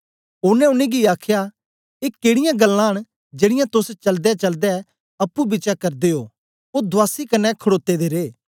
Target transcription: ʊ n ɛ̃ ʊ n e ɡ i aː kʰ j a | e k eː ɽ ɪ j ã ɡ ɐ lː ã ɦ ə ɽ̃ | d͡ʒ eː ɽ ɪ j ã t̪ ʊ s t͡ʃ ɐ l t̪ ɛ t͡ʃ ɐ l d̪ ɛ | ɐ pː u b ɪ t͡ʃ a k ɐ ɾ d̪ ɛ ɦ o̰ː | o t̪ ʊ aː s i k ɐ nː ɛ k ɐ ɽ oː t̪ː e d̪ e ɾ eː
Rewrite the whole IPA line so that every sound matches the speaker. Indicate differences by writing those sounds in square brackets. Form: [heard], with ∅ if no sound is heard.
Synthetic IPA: ʊ n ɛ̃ ʊ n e ɡ i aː kʰ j a | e k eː ɽ ɪ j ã ɡ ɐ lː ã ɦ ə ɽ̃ | d͡ʒ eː ɽ ɪ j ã t̪ ʊ s t͡ʃ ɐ l [d̪] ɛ t͡ʃ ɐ l d̪ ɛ | ɐ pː u b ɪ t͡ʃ a k ɐ ɾ d̪ [e] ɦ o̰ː | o [d̪] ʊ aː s i k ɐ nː ɛ [kʰ] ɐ ɽ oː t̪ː e d̪ e ɾ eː